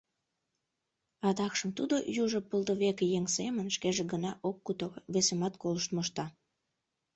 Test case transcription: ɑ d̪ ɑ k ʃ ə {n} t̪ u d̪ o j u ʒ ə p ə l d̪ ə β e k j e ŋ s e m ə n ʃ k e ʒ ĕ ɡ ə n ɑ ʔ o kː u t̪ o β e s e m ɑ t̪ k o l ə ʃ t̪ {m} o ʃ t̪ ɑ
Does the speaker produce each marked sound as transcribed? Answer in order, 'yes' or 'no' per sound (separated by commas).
no, yes